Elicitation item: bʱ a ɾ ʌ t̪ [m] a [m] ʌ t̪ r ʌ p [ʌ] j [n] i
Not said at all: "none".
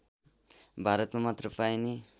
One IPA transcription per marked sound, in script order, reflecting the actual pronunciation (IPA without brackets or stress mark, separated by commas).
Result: m, m, a, n